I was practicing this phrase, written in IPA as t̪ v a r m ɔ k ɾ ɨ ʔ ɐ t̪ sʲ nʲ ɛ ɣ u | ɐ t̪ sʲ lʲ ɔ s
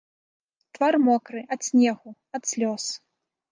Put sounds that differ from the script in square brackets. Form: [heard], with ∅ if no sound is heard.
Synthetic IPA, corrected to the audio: t̪ v a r m ɔ k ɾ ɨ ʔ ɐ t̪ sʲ nʲ ɛ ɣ u | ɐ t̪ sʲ lʲ ɔ s